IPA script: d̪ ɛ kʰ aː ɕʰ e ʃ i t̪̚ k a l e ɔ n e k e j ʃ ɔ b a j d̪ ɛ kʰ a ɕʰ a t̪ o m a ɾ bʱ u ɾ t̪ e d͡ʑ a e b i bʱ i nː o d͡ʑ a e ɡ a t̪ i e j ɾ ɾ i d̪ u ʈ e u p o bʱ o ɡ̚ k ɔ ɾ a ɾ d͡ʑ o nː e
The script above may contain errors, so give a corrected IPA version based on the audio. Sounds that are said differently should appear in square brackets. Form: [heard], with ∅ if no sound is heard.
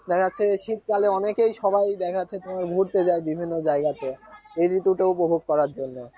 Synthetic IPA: d̪ ɛ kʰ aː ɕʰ e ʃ i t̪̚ k a l e ɔ n e k e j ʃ ɔ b a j d̪ ɛ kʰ a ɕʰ [e] t̪ o m a ɾ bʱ u ɾ t̪ e d͡ʑ a e b i bʱ i nː o d͡ʑ a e ɡ a t̪ [e] e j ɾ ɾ i [t̪] u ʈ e u p o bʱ o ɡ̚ k ɔ ɾ a ɾ d͡ʑ o nː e